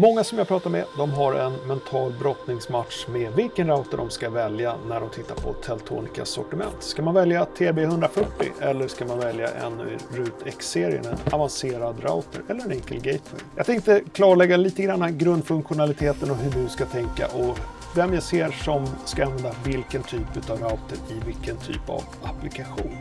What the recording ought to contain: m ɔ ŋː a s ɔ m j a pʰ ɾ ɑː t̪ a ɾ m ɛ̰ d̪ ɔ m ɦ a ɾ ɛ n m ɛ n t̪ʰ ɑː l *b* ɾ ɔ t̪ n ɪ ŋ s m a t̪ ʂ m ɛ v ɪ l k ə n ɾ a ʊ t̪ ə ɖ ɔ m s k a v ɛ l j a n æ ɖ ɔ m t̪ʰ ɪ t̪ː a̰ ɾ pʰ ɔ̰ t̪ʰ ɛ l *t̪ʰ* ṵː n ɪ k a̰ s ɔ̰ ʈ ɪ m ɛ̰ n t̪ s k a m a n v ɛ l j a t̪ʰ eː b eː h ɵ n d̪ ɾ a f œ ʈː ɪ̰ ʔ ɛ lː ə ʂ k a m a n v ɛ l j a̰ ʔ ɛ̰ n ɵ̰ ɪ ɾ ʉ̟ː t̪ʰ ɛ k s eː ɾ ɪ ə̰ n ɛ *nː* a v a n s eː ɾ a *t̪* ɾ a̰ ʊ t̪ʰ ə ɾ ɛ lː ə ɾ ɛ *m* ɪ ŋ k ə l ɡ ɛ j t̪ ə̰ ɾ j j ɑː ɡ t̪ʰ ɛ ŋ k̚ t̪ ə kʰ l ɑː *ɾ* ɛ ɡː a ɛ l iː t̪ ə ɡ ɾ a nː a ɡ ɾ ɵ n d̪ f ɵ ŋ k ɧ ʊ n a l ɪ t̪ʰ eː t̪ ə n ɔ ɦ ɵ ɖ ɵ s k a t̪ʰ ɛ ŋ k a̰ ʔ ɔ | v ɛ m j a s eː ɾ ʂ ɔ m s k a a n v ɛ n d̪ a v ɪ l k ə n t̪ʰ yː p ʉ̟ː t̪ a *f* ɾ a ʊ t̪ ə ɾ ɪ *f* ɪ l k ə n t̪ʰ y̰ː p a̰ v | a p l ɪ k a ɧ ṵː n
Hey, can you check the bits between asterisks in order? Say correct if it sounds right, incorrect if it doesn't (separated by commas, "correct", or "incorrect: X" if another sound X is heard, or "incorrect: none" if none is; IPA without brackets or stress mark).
correct, correct, incorrect: n, incorrect: d̪, incorrect: n, incorrect: ɭ, incorrect: v, incorrect: v